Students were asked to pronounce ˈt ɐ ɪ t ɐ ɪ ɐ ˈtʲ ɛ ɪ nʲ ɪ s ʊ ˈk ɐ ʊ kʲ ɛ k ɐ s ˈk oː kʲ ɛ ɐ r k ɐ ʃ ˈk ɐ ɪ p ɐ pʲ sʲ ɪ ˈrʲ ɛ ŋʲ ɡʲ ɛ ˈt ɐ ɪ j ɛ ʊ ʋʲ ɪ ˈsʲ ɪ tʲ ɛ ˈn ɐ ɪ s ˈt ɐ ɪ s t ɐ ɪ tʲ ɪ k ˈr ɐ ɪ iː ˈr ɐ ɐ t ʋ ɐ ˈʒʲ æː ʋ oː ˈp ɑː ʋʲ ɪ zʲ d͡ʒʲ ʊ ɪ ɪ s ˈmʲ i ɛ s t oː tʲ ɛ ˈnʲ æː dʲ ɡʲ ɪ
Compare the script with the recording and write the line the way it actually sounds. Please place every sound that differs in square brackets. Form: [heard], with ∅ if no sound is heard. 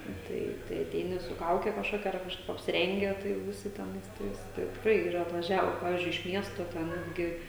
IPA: ˈt ɐ ɪ t ɐ ɪ ɐ ˈtʲ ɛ ɪ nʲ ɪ s ʊ ˈk ɐ ʊ kʲ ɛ k ɐ [ʃ] ˈk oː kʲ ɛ ɐ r k ɐ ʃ ˈk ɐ ɪ p ɐ pʲ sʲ ɪ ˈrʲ ɛ ŋʲ ɡʲ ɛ ˈt ɐ ɪ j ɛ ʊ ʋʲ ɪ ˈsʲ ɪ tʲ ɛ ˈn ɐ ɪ s ˈt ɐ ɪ s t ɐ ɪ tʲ ɪ k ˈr ɐ ɪ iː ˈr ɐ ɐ t ʋ ɐ ˈʒʲ æː ʋ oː ˈp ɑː ʋʲ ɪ zʲ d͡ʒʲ ʊ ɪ ɪ [ʃ] ˈmʲ i ɛ s t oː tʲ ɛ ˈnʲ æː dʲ ɡʲ ɪ

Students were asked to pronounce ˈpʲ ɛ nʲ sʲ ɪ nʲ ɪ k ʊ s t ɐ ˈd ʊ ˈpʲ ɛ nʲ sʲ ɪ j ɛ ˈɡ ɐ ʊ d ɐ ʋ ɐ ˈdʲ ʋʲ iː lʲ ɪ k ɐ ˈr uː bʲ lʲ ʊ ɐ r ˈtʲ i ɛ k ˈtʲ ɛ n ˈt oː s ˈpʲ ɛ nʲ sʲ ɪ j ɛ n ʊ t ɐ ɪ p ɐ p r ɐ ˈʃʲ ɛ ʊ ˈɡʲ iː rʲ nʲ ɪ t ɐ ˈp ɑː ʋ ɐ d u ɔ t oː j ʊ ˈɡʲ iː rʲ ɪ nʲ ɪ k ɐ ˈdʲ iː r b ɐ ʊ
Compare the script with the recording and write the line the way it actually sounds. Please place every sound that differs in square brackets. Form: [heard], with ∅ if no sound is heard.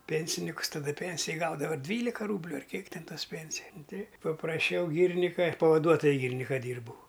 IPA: ˈpʲ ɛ nʲ sʲ ɪ nʲ ɪ k ʊ s t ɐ ˈd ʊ ˈpʲ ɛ nʲ sʲ ɪ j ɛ ˈɡ ɐ ʊ d ɐ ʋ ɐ ˈdʲ ʋʲ iː lʲ ɪ k ɐ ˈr uː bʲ lʲ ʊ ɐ r [ˈkʲ] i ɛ k ˈtʲ ɛ n ˈt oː s ˈpʲ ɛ nʲ sʲ ɪ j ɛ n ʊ t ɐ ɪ p ɐ p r ɐ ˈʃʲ ɛ ʊ ˈɡʲ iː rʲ nʲ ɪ [k] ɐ ˈp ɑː ʋ ɐ d u ɔ t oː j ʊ ˈɡʲ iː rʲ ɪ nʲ ɪ k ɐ ˈdʲ iː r b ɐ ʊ

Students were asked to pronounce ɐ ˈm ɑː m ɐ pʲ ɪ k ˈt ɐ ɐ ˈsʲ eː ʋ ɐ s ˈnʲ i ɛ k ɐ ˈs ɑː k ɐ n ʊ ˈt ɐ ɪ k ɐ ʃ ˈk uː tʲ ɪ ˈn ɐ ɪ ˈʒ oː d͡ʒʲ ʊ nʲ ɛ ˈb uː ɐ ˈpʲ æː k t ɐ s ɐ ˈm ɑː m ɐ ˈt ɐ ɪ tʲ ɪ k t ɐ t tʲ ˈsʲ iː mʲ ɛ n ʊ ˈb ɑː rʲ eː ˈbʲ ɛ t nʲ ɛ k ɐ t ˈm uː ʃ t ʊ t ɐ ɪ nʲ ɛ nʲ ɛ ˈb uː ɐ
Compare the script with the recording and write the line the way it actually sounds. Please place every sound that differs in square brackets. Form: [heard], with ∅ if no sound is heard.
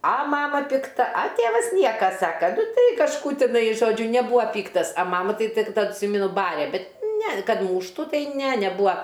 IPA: ɐ ˈm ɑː m ɐ pʲ ɪ k ˈt ɐ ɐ [ˈtʲ] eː ʋ ɐ s ˈnʲ i ɛ k ɐ ˈs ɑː k ɐ n ʊ ˈt ɐ ɪ k ɐ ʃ ˈk uː tʲ ɪ ˈn ɐ ɪ ˈʒ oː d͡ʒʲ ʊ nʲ ɛ ˈb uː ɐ ˈpʲ [iː] k t ɐ s ɐ ˈm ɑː m ɐ ˈt ɐ ɪ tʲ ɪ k t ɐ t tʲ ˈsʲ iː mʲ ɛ n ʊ ˈb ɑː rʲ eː ˈbʲ ɛ t nʲ ɛ k ɐ t ˈm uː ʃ t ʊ t ɐ ɪ nʲ ɛ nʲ ɛ ˈb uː ɐ

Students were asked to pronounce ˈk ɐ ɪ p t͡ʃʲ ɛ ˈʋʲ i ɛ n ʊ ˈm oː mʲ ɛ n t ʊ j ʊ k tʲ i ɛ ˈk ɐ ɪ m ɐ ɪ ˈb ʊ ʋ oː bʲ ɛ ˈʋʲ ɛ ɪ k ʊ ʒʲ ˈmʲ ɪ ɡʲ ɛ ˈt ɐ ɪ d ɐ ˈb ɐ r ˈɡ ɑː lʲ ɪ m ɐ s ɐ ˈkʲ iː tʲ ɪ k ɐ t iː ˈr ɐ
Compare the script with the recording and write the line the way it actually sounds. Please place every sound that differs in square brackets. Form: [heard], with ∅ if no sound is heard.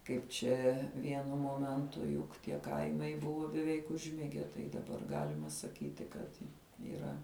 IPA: ˈk ɐ ɪ p t͡ʃʲ ɛ ˈʋʲ i ɛ n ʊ ˈm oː mʲ ɛ n t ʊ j ʊ k tʲ i ɛ ˈk ɐ ɪ m ɐ ɪ ˈb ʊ ʋ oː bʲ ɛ ˈʋʲ ɛ ɪ k ʊ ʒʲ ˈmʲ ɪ ɡʲ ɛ ˈt ɐ ɪ d ɐ ˈb ɐ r ˈɡ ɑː lʲ ɪ m ɐ s ɐ ˈkʲ iː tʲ ɪ k ɐ t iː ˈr ɐ

